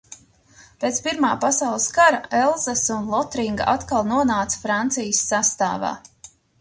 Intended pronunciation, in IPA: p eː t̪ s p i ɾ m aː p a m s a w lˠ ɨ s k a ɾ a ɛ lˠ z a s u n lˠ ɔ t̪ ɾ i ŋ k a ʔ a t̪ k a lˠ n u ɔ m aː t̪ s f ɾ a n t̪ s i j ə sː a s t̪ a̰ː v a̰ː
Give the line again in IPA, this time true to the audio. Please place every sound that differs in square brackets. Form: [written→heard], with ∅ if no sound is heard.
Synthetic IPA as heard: p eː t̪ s p i ɾ m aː p a [m→∅] s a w lˠ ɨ s k a ɾ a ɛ lˠ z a s u n lˠ ɔ t̪ ɾ i ŋ [k→ɡ] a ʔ a t̪ k a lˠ n u ɔ [m→n] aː t̪ s f ɾ a n t̪ s i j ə sː a s t̪ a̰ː v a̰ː